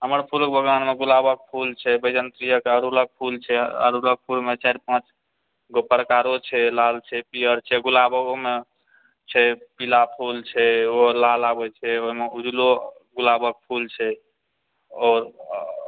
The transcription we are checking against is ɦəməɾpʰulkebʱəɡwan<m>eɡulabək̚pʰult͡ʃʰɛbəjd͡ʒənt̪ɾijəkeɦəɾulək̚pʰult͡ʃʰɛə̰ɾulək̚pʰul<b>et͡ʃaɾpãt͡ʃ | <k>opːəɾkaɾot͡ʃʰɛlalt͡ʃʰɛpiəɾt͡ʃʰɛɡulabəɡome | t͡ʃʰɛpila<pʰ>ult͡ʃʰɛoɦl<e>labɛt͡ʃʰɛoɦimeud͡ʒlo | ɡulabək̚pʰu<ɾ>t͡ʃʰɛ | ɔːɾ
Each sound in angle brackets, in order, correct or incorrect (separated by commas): correct, incorrect, incorrect, correct, incorrect, incorrect